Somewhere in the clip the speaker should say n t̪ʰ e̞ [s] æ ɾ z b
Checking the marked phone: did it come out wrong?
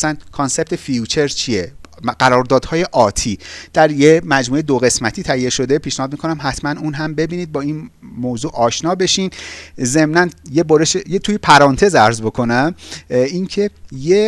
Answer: yes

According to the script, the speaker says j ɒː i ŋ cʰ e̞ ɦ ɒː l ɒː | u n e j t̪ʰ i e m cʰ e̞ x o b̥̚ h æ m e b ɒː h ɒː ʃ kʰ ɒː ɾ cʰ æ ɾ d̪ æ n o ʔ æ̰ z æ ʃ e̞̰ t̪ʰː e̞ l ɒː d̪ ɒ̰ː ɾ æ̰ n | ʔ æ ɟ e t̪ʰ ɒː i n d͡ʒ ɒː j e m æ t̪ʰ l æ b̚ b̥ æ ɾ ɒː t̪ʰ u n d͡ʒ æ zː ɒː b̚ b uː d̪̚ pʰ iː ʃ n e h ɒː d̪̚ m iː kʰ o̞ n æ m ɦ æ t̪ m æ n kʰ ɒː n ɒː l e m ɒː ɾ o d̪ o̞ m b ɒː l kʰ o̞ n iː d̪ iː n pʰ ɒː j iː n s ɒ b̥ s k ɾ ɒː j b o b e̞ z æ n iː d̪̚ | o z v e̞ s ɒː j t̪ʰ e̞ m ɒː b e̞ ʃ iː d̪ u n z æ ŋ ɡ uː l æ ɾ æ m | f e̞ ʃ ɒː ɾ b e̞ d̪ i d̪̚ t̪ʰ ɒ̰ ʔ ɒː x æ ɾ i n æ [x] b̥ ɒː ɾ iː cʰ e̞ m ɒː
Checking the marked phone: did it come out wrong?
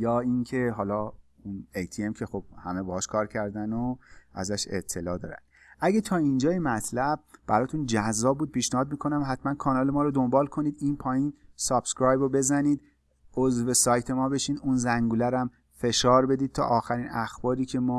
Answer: no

